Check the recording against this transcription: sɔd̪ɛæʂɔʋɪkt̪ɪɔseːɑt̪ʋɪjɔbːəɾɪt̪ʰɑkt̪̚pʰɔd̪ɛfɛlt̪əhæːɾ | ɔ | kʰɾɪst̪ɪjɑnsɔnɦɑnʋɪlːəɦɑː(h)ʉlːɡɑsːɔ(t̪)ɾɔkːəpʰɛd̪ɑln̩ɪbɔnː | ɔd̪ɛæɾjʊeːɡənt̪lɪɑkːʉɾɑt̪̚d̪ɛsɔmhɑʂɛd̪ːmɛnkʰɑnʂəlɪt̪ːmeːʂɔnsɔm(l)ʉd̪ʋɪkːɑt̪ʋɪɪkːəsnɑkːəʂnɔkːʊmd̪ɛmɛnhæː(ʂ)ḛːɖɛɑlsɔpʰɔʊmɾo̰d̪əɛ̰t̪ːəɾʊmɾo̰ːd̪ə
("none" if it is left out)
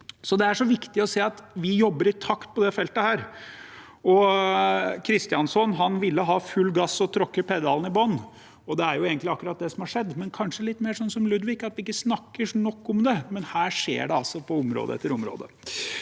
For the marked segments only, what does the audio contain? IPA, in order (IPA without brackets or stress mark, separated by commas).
f, t̪ʰ, l, ʂ